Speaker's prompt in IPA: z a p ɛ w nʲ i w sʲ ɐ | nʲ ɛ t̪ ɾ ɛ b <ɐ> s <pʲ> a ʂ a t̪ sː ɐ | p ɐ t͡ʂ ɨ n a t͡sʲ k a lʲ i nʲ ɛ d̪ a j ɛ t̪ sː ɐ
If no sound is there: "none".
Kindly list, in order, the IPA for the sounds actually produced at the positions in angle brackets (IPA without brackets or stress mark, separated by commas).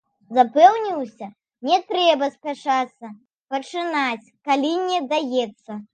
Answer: ɐ, pʲ